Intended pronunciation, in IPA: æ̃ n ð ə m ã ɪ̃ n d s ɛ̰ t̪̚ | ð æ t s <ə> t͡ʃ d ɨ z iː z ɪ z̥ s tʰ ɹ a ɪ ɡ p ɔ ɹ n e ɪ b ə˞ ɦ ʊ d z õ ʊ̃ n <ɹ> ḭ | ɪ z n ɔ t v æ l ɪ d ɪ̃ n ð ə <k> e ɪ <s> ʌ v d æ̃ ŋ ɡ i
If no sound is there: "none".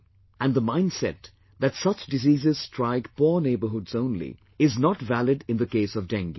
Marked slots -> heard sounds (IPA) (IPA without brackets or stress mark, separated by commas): ʌ, l, k, s